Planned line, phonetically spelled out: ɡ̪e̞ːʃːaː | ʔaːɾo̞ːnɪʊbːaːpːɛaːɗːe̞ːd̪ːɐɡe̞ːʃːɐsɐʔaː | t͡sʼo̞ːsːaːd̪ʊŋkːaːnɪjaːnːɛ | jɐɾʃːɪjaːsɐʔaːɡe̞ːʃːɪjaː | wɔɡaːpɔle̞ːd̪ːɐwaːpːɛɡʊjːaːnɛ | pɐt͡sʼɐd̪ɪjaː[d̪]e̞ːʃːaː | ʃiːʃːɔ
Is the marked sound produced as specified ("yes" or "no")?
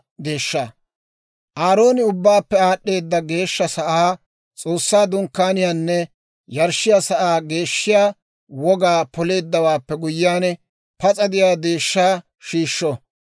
yes